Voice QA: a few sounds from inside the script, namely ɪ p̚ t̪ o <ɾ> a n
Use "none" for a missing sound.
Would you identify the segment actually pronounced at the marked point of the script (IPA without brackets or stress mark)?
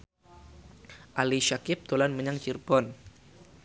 l